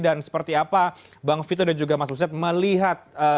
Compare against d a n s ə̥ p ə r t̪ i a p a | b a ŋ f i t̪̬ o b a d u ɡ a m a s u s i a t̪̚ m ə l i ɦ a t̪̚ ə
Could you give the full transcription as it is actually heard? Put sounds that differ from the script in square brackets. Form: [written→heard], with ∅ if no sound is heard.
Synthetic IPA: d a n s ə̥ p ə r t̪ i a p a | b a ŋ f i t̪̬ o [b→d] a [d→d͡ʒ] u ɡ a m a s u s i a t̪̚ m ə l i ɦ a t̪̚ ə